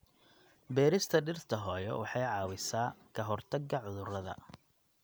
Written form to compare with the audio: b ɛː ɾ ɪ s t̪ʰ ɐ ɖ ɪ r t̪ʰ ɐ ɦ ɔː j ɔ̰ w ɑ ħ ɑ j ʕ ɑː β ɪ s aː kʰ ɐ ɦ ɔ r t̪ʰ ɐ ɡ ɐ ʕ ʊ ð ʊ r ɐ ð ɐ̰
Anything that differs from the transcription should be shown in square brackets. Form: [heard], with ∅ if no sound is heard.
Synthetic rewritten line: b ɛː ɾ ɪ s t̪ʰ ɐ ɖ ɪ r t̪ʰ ɐ ɦ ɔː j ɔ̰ w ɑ ħ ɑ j ʕ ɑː [w] ɪ s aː kʰ ɐ ɦ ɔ r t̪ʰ ɐ ɡ ɐ ʕ ʊ ð ʊ r ɐ ð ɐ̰